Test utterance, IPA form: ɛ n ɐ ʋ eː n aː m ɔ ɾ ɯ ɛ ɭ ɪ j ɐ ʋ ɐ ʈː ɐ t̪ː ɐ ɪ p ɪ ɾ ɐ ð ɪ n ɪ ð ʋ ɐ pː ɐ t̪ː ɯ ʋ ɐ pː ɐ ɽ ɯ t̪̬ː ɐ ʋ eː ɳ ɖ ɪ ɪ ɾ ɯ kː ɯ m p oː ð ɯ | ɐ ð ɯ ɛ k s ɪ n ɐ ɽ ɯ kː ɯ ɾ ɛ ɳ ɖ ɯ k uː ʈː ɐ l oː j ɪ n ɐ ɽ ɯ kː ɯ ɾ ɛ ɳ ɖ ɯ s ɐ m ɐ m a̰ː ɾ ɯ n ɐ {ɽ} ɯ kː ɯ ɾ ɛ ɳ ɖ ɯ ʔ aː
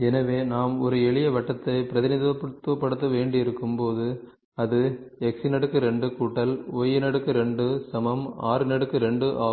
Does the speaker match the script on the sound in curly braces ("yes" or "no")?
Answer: yes